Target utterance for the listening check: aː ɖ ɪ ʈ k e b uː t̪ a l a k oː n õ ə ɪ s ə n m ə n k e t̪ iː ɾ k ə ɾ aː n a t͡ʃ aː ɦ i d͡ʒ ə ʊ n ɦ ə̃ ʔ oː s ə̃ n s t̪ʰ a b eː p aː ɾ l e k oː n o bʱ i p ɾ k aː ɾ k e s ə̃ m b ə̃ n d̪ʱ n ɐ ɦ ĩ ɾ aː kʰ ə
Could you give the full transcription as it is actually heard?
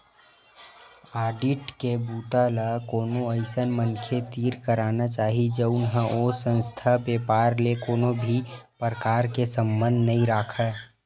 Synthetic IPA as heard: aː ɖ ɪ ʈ k e b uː t̪ a l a k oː n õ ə ɪ s ə n m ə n kʰ e t̪ iː ɾ k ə ɾ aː n a t͡ʃ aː ɦ i d͡ʒ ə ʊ n ɦ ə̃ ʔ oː s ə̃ n s t̪ʰ a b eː p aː ɾ l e k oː n o bʱ i p ɾ k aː ɾ k e s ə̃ m b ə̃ n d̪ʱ n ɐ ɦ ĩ ɾ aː kʰ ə